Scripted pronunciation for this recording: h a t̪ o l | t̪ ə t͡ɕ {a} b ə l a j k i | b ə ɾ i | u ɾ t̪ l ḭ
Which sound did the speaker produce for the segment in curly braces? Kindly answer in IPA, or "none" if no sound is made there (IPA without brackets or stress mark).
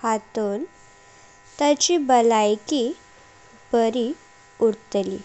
i